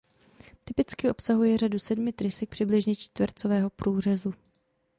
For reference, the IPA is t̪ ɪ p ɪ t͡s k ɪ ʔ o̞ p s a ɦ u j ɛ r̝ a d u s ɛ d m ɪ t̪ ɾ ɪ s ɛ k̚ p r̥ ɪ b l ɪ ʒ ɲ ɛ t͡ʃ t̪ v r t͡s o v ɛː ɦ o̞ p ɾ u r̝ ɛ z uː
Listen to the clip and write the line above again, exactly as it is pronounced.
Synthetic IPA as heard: t̪ ɪ p ɪ t͡s k ɪ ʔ o̞ p s a ɦ u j ɛ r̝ a d u s ɛ d m ɪ t̪ ɾ ɪ s ɛ k̚ p r̥ ɪ b l ɪ ʒ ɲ ɛ t͡ʃ t̪ v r t͡s o v ɛː ɦ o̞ p ɾ uː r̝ ɛ z u